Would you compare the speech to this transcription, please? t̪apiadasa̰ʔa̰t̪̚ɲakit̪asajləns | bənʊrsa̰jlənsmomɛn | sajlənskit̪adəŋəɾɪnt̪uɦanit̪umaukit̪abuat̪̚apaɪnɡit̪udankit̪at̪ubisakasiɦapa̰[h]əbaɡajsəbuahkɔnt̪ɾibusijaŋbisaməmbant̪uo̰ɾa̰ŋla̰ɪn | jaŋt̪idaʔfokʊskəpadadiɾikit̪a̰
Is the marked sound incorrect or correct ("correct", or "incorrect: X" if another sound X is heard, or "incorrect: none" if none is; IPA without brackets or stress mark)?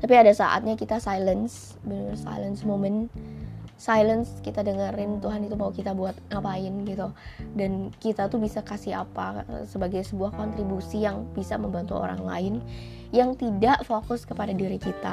incorrect: s